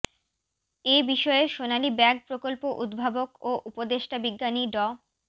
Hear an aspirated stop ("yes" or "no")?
no